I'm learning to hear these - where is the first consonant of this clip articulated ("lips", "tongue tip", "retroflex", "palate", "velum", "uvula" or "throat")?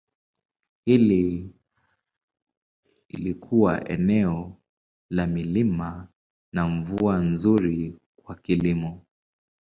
throat